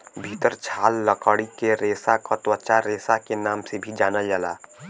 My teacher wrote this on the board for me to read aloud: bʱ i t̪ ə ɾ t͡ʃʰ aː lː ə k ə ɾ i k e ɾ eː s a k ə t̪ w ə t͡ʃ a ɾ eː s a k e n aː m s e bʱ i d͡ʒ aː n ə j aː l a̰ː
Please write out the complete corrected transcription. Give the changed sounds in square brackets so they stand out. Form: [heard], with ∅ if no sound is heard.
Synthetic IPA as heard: bʱ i t̪ ə ɾ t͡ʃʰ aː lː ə k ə [ɽ] i k e ɾ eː s a k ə t̪ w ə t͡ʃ a ɾ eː s a k e n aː m s e bʱ i d͡ʒ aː n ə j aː l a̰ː